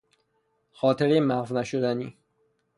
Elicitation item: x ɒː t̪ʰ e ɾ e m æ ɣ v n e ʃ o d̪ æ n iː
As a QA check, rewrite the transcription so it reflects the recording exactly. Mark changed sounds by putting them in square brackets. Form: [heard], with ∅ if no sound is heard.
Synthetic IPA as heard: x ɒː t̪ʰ e ɾ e m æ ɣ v n [æ] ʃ o d̪ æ n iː